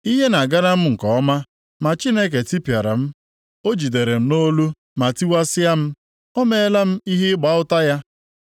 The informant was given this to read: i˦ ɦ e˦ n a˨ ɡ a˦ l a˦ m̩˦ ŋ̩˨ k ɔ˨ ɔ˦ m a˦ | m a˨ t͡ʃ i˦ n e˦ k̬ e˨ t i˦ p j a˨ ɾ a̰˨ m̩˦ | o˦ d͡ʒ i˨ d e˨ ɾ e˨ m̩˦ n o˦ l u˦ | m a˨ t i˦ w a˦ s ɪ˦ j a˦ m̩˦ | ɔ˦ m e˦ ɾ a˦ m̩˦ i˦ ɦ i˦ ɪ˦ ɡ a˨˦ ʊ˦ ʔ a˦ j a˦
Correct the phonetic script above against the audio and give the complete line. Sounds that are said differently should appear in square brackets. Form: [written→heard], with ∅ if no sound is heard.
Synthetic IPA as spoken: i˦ ɦ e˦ n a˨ ɡ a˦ [l→ɾ] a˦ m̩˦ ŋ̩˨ k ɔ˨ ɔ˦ m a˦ | m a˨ t͡ʃ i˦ n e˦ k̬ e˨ t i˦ p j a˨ ɾ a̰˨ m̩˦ | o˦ d͡ʒ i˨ d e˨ ɾ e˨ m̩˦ n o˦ l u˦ | m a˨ t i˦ w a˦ s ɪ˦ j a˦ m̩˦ | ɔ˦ m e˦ [ɾ→l] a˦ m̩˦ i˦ ɦ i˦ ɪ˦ [ɡ→ɡ͡b] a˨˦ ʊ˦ [ʔ→t] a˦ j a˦